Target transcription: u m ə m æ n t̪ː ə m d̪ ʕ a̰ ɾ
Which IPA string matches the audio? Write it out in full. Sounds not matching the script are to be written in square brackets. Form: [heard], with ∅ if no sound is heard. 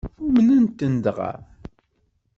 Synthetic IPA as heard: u m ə [n] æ n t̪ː ə [n] d̪ [ʁ] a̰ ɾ

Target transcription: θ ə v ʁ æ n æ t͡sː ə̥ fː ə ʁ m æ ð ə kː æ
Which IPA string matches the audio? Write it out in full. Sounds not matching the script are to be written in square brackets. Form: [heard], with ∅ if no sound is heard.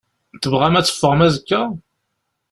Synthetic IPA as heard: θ ə v ʁ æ [m] æ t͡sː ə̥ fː ə ʁ m æ [z] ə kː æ

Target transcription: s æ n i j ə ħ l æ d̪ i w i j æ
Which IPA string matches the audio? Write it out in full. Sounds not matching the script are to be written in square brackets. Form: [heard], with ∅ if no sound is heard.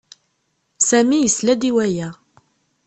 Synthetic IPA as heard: s æ [m] i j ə [s] l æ d̪ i w [æ] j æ

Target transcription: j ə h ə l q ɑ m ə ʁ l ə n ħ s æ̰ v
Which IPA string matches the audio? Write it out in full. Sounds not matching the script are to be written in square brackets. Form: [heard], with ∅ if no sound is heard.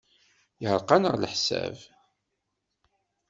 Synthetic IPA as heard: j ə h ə [ɾ] q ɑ [n] ə ʁ l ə [∅] ħ s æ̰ v

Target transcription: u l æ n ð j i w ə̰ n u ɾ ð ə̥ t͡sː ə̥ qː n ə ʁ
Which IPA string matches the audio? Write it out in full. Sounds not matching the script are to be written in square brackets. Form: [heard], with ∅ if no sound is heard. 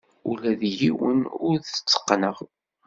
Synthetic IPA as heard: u l æ [∅] ð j i w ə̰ n [ʊ] ɾ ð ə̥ t͡sː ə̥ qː n ə ʁ

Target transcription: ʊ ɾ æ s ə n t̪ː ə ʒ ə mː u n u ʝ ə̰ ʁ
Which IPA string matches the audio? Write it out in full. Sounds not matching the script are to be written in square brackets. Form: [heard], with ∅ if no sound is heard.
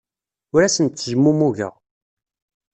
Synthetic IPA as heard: ʊ ɾ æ s ə n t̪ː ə ʒ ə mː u [m] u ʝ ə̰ ʁ

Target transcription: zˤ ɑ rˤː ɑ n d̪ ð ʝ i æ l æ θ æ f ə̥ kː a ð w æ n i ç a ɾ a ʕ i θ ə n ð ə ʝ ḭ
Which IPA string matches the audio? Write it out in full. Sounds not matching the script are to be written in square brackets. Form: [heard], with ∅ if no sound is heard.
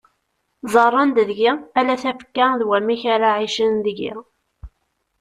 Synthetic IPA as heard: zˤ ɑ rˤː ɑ n d̪ ð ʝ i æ l æ θ æ f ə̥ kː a ð w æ [m] i ç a ɾ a ʕ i [ʃ] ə n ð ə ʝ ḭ

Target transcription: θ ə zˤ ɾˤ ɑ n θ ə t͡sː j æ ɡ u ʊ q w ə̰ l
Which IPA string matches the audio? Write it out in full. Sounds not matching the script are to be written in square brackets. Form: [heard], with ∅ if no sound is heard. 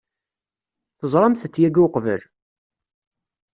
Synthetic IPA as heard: θ ə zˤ ɾˤ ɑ [m] θ ə t͡sː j æ ɡ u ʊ q [v] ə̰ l

